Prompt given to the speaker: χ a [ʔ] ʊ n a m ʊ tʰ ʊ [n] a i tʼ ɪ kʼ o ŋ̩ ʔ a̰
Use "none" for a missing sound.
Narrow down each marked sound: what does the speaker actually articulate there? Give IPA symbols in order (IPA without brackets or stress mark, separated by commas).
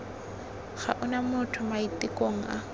ʔ, m